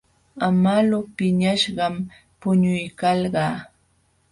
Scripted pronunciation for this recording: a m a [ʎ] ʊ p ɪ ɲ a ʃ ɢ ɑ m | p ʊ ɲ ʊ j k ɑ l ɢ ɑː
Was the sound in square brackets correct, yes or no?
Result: no